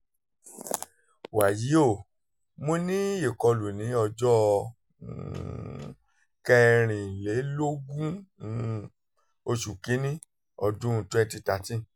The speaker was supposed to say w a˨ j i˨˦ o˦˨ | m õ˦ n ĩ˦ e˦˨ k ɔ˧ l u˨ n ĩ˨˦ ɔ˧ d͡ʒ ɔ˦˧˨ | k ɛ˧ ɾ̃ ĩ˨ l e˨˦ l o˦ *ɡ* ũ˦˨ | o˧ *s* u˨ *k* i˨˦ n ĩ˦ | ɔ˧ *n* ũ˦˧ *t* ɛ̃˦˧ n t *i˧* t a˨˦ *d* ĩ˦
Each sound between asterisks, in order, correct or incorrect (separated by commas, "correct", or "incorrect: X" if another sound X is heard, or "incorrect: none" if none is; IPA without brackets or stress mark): correct, incorrect: ʃ, correct, incorrect: d, correct, correct, incorrect: t